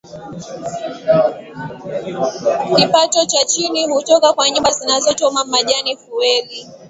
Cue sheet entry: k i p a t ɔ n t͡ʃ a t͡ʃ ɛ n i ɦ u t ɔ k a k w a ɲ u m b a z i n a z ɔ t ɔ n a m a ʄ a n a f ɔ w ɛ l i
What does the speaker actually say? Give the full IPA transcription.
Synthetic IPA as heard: k i p a t ɔ t͡ʃ a t͡ʃ i n i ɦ u t ɔ k a k w a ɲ u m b a z i n a z ɔ t ɔ m a m a ʄ a n i f u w ɛ l i